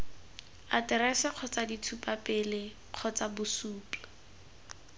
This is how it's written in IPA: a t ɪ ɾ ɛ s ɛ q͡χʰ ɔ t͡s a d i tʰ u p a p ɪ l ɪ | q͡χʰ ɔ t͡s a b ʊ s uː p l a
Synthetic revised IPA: a t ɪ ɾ ɛ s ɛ q͡χʰ ɔ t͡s a d i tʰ u p a p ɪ l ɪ | q͡χʰ ɔ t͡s a b ʊ s uː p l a